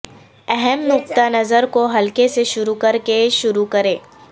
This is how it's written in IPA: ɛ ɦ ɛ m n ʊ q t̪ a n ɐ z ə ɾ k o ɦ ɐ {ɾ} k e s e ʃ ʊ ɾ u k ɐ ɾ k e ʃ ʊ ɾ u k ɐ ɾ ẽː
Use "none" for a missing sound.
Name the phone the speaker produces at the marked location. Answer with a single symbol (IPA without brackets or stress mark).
l